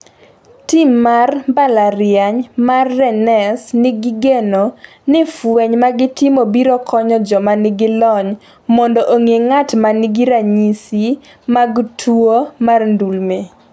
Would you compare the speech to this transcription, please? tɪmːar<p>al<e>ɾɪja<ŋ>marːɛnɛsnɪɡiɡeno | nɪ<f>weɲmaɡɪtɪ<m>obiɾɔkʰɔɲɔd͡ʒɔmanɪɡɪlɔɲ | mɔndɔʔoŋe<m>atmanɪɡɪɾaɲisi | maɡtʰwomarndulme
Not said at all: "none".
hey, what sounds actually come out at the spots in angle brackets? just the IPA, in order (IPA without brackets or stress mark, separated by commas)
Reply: b, a, ɲ, f, m, ŋ